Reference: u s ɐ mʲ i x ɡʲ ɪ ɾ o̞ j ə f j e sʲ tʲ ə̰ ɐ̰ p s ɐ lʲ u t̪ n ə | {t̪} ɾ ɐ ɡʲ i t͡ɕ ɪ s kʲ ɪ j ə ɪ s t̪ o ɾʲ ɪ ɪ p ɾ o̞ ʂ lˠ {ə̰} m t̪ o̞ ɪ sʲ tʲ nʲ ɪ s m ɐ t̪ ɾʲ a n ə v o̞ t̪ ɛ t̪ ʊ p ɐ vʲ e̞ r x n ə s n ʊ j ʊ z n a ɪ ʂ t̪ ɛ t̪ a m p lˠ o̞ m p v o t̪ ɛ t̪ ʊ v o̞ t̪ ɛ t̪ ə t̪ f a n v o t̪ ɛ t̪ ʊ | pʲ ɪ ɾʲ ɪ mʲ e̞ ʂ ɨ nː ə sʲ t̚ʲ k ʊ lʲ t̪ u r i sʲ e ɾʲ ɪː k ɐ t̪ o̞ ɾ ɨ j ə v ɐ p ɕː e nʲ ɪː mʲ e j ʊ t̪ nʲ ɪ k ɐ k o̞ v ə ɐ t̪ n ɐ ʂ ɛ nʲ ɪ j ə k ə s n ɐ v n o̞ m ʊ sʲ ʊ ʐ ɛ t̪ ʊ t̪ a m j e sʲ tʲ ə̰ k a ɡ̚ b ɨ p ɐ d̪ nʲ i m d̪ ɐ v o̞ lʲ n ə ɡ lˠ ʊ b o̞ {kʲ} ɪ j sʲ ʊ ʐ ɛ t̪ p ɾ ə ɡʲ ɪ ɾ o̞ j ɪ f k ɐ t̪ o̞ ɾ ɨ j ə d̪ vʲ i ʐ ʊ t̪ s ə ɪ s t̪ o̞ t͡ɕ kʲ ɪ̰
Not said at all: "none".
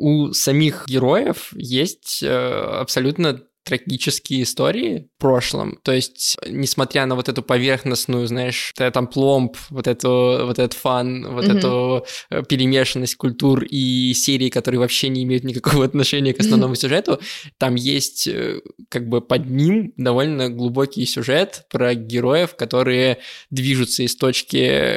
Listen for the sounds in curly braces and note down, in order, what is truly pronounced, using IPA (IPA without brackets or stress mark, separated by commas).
t̪, ə̰, kʲ